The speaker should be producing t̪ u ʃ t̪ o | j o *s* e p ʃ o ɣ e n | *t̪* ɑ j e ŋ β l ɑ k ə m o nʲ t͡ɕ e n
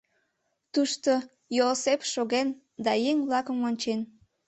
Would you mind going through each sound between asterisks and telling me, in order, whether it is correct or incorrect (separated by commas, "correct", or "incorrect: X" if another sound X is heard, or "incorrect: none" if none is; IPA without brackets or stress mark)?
correct, incorrect: d̪